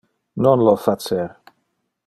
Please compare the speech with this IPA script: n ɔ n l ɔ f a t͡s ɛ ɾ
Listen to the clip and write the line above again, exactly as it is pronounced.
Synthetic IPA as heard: n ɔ n l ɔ f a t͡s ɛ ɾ